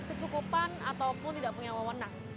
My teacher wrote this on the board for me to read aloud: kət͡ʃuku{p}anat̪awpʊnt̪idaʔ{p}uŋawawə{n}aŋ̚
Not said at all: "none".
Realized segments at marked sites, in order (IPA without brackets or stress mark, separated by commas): p, p, n